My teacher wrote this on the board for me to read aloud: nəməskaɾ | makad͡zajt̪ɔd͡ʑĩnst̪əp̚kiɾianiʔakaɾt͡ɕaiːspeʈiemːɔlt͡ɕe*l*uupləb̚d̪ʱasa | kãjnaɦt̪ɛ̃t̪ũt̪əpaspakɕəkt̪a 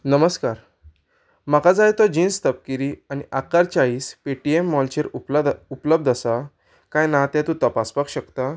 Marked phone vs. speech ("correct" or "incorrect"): incorrect